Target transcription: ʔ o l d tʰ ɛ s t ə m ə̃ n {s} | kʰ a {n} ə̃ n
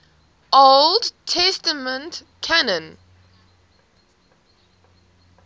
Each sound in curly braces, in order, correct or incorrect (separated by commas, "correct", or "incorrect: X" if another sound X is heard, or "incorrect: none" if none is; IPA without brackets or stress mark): incorrect: t, correct